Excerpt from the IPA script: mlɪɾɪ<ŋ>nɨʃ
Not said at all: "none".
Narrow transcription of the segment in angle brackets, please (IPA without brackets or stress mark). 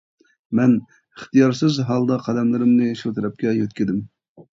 m